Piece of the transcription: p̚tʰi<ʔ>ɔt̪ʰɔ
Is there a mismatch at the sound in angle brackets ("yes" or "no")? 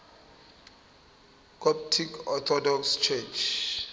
yes